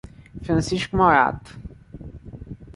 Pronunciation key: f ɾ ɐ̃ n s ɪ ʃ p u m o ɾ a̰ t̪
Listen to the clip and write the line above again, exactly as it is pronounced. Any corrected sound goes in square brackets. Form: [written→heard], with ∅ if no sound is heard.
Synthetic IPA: f ɾ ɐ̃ n s [ɪ→i] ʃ [p→k] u m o ɾ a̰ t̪